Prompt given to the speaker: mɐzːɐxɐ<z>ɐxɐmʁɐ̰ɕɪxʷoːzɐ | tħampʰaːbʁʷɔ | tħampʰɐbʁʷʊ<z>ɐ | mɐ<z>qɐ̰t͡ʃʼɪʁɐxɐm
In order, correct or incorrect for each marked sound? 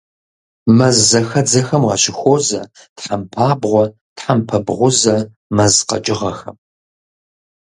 incorrect, correct, correct

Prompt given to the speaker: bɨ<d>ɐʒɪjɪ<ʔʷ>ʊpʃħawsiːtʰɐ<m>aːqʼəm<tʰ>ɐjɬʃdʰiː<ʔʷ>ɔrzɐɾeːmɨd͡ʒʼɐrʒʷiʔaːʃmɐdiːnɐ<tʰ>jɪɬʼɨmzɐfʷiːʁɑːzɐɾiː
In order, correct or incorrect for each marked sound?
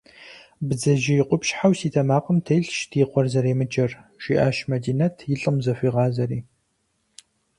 incorrect, incorrect, correct, correct, incorrect, correct

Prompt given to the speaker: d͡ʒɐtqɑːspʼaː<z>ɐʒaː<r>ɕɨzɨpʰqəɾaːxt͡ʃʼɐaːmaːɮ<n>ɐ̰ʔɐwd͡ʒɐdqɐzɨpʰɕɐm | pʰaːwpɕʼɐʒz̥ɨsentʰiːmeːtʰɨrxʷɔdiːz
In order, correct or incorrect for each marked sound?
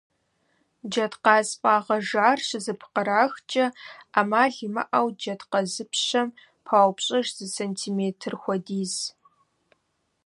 incorrect, correct, incorrect

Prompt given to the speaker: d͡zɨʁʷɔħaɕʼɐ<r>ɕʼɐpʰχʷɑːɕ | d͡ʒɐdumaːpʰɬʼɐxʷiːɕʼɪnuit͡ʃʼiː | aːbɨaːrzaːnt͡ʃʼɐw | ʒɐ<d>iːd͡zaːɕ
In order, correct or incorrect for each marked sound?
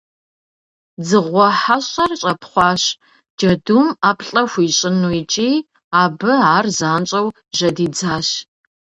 correct, correct

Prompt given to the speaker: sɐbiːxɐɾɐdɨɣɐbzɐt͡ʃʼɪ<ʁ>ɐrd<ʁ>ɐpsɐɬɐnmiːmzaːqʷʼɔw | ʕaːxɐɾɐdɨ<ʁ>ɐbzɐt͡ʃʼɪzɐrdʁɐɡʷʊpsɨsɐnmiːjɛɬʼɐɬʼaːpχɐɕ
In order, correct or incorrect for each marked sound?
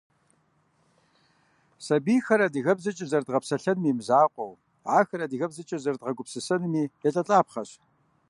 incorrect, correct, incorrect

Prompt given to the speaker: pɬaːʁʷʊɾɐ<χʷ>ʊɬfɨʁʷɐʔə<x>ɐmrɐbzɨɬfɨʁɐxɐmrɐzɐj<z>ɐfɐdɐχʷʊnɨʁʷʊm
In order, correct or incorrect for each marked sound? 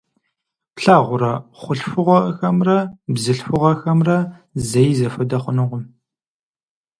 correct, correct, correct

